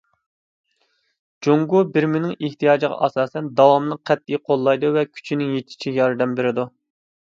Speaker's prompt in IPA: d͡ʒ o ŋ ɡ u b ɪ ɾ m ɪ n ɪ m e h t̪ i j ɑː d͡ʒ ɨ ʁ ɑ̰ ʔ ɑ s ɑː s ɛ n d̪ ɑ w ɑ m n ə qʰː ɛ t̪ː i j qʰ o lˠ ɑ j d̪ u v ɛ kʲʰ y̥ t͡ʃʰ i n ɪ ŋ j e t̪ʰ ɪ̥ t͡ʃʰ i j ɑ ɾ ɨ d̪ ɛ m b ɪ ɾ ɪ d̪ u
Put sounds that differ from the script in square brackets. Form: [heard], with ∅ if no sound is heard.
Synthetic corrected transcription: d͡ʒ o ŋ ɡ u b ɪ ɾ m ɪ n ɪ [ŋ] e h t̪ i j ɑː d͡ʒ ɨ ʁ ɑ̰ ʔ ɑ s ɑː s ɛ n d̪ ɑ w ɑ m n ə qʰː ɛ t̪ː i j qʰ o [lˠː] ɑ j d̪ u v ɛ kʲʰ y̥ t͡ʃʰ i n ɪ ŋ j e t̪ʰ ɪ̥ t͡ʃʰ i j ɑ ɾ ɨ d̪ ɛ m b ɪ ɾ ɪ d̪ u